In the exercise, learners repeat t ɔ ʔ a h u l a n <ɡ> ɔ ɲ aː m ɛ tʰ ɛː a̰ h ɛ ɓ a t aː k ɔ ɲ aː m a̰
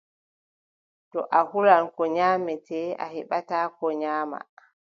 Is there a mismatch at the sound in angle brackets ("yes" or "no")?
yes